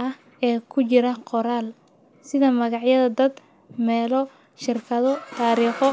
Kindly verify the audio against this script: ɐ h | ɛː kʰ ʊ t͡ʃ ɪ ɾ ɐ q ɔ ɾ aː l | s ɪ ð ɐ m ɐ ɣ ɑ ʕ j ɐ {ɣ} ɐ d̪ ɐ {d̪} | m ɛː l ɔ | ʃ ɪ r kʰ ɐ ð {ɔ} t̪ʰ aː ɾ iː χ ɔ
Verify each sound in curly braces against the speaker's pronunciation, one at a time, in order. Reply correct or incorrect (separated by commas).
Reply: incorrect, correct, correct